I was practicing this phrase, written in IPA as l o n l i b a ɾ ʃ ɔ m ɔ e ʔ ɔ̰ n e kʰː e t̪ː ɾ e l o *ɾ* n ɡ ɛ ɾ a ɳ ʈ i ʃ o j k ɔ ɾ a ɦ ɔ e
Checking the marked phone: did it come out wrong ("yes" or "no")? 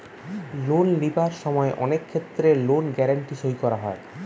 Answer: yes